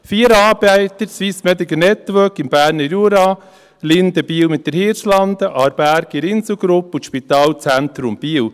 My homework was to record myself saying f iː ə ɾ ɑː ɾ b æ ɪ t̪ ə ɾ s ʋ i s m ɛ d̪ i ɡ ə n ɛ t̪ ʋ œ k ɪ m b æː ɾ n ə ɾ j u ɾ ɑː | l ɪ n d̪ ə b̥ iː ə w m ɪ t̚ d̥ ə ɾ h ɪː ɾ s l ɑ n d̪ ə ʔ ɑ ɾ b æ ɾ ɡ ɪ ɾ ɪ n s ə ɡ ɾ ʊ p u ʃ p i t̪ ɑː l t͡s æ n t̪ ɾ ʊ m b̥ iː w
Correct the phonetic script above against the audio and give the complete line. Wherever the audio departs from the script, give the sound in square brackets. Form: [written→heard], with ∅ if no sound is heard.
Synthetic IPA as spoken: f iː ə ɾ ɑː ɾ b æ ɪ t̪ ə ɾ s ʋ i s m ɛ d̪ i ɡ ə n ɛ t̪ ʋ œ k ɪ m b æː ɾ n ə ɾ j u ɾ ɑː | l ɪ n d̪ ə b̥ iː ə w m ɪ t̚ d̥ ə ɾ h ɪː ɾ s l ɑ n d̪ ə ʔ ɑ ɾ b æ ɾ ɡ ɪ ɾ ɪ n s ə ɡ ɾ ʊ p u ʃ p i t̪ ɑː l t͡s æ n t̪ ɾ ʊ m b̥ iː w